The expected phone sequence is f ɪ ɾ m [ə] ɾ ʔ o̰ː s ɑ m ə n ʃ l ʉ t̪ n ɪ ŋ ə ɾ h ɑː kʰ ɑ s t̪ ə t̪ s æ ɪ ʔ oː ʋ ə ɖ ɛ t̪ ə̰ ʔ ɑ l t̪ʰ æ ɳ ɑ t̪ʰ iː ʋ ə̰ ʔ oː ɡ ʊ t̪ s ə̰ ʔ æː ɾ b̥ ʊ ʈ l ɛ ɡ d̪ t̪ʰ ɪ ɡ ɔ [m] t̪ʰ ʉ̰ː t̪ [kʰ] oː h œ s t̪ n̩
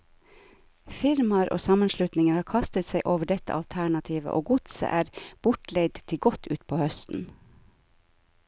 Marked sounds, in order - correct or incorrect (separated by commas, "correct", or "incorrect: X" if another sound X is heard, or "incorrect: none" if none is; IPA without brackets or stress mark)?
incorrect: ɑ, incorrect: none, incorrect: pʰ